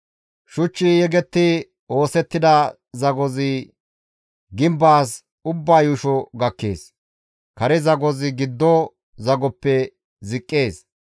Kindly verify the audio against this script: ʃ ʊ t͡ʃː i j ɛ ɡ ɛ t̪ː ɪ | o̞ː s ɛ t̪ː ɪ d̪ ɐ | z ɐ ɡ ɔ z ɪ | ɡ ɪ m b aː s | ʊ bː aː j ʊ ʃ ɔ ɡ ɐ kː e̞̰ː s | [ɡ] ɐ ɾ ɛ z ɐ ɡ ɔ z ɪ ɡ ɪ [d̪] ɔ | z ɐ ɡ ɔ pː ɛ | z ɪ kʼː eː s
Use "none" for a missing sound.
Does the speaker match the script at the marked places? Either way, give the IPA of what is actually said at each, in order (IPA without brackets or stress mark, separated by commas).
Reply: k, d̪ː